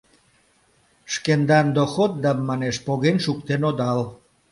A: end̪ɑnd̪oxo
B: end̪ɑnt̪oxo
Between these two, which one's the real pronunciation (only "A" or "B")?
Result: A